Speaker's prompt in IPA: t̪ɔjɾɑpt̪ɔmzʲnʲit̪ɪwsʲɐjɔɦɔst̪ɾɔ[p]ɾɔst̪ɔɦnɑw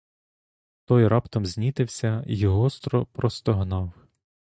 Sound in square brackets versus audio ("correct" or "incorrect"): correct